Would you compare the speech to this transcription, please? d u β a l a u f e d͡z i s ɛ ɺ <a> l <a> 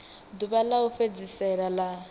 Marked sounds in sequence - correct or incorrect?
correct, correct

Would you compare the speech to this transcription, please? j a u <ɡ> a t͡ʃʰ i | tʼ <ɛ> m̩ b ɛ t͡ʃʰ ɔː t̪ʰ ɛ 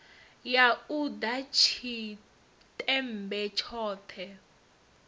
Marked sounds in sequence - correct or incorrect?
incorrect: d, correct

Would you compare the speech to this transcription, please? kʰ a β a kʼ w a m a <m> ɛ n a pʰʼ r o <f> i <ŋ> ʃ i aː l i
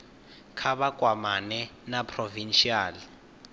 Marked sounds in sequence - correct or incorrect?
incorrect: n, incorrect: v, incorrect: n

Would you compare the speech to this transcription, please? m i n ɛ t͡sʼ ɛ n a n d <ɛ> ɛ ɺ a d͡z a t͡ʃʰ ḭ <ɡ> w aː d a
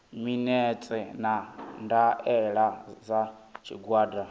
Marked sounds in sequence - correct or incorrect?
incorrect: a, correct

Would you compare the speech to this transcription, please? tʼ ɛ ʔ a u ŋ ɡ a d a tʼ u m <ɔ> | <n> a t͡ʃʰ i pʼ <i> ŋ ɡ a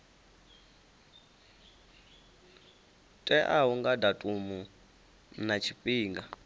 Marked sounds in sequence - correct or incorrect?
incorrect: u, correct, incorrect: iː

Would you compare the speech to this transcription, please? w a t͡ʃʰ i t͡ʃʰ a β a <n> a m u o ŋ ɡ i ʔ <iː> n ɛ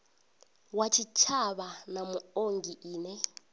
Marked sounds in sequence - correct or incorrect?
correct, correct

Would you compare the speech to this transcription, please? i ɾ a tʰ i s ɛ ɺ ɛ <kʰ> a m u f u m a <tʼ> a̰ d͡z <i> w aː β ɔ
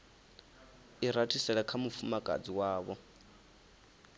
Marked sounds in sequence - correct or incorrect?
correct, incorrect: kʼ, correct

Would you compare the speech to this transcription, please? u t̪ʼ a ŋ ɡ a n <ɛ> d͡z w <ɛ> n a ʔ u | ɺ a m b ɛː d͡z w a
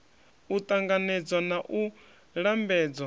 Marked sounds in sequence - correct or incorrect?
correct, incorrect: a

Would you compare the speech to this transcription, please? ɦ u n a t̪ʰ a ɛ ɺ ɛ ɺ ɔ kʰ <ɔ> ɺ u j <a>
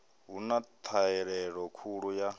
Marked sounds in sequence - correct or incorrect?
incorrect: u, correct

